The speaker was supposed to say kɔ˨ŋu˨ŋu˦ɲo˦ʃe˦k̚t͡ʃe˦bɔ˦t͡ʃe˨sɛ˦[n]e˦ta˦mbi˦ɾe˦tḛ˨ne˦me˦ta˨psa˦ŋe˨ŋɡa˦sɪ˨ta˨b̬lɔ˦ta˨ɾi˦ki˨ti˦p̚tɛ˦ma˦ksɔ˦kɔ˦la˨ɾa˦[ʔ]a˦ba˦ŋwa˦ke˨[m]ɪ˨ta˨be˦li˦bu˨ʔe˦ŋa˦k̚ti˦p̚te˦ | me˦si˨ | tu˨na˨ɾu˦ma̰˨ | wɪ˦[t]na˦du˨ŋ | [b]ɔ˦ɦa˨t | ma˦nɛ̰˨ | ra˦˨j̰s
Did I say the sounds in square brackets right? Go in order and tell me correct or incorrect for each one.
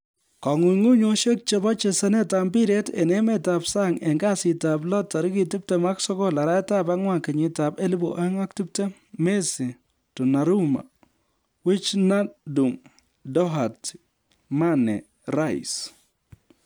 correct, incorrect: t, incorrect: ɲ, incorrect: t͡ʃ, incorrect: d

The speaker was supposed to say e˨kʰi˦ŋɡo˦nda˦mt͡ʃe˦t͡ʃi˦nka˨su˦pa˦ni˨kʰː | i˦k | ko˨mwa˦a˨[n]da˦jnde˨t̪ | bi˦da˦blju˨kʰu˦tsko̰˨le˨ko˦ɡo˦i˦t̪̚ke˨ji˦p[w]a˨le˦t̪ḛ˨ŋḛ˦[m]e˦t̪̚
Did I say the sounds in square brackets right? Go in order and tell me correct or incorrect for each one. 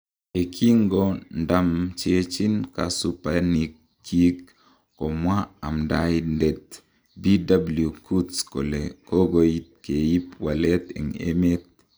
incorrect: m, correct, correct

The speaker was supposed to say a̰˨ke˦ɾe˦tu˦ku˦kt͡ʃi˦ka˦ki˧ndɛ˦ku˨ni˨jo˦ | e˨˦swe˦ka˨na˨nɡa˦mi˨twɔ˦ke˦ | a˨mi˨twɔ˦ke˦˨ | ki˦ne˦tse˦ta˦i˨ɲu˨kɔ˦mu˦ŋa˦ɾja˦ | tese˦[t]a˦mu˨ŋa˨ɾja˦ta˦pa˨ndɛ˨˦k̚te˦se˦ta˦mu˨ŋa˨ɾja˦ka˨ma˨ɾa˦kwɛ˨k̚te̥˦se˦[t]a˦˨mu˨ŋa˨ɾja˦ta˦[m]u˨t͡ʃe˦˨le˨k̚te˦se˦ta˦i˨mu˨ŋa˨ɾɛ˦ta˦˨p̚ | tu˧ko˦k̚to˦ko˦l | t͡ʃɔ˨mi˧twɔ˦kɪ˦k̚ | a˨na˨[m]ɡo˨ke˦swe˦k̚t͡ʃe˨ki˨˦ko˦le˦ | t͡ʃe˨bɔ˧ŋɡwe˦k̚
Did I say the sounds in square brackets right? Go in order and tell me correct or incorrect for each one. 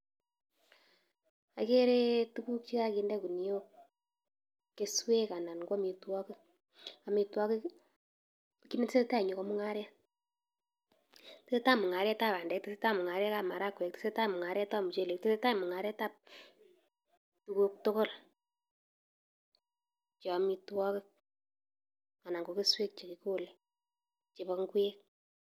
correct, correct, correct, incorrect: ŋ

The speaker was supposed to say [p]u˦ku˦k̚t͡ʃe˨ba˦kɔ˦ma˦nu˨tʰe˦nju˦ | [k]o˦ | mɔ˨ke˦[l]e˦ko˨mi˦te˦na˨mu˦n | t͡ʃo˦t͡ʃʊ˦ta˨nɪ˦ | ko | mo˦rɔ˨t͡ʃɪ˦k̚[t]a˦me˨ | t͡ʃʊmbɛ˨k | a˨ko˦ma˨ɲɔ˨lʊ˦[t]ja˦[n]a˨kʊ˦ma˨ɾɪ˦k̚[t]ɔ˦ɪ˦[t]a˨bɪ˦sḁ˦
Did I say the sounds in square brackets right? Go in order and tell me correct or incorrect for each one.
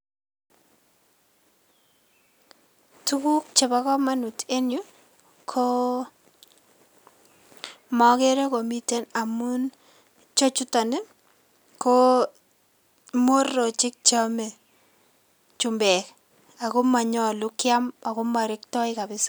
incorrect: t, incorrect: kʰ, incorrect: ɾ, incorrect: t͡ʃ, incorrect: k, incorrect: m, correct, incorrect: k

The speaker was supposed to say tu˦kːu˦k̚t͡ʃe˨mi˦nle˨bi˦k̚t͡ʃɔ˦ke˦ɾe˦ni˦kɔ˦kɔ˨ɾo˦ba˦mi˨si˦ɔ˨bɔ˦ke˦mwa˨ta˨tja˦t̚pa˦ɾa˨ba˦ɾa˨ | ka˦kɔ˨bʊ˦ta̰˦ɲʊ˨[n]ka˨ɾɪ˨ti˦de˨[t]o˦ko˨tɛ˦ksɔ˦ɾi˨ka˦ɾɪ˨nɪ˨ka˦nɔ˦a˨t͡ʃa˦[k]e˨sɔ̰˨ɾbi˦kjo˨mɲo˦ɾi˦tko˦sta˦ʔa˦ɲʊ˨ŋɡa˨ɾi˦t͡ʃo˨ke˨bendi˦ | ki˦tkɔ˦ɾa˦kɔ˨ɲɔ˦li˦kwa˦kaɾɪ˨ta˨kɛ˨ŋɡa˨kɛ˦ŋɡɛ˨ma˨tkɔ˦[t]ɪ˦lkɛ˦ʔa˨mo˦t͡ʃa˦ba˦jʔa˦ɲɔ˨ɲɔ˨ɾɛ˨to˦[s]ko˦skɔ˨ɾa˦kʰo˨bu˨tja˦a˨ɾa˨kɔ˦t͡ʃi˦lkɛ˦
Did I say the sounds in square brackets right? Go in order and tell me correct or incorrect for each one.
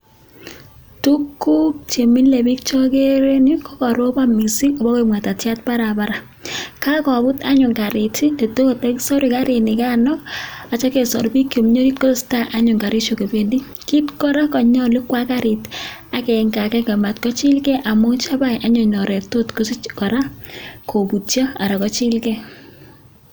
incorrect: ŋ, correct, correct, incorrect: t͡ʃ, incorrect: t

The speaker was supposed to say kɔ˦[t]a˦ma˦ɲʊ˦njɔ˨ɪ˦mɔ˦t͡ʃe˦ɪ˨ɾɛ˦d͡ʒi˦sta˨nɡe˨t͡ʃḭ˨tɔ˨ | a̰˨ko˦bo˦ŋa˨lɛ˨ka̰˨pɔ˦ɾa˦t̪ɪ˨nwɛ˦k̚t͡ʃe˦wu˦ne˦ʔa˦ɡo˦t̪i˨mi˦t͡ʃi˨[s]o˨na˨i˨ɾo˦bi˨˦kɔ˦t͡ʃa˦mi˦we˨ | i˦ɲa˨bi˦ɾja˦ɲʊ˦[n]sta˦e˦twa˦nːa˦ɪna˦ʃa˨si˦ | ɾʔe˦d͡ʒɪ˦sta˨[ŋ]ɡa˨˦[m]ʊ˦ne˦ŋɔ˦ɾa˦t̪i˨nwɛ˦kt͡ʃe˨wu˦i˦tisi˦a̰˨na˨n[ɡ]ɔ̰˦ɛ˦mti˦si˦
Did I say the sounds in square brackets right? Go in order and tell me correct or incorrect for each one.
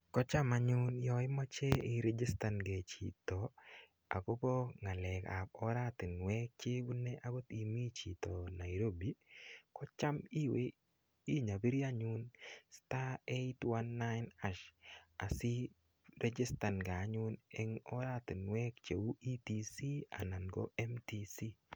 incorrect: t͡ʃ, incorrect: t, correct, incorrect: n, incorrect: ɲ, correct

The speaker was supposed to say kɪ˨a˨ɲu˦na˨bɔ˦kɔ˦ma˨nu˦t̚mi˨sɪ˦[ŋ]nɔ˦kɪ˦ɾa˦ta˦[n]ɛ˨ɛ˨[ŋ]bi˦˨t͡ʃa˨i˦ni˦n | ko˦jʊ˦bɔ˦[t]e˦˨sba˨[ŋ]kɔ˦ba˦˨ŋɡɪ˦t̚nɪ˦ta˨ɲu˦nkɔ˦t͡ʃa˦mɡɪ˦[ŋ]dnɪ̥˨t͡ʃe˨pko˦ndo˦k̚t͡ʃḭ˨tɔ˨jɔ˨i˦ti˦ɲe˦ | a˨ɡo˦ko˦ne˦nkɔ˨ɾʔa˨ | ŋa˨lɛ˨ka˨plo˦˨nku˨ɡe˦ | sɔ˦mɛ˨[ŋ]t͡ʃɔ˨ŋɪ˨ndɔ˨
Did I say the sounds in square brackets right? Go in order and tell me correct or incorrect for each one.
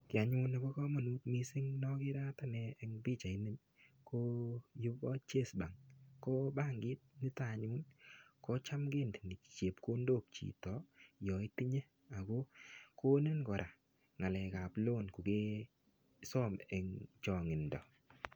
correct, correct, correct, incorrect: t͡ʃ, correct, incorrect: n, correct

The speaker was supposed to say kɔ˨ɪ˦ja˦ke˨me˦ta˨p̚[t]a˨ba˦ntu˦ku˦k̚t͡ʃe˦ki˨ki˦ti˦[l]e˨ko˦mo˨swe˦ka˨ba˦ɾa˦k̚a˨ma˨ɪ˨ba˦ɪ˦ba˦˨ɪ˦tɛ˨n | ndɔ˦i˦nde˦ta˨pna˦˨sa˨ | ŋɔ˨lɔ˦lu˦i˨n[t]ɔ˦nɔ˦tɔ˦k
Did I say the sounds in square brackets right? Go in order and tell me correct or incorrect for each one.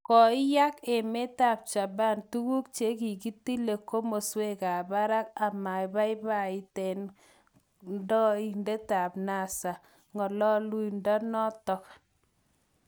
incorrect: t͡ʃ, correct, incorrect: d

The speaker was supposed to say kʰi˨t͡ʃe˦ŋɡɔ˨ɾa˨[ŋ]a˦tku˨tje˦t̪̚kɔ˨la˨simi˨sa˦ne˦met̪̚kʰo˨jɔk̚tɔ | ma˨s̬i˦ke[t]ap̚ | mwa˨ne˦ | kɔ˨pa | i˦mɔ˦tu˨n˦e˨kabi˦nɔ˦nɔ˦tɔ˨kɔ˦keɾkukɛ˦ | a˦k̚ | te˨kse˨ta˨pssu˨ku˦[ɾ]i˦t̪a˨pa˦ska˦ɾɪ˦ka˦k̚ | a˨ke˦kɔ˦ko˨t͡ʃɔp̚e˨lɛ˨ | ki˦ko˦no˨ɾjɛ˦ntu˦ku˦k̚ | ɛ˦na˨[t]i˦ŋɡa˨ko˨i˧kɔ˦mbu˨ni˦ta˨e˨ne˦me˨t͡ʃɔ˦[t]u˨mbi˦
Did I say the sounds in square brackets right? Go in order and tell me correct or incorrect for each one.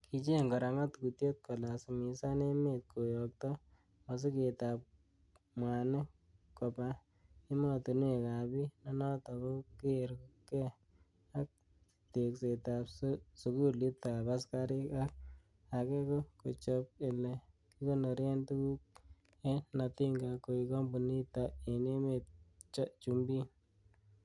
correct, correct, incorrect: l, correct, incorrect: t͡ʃ

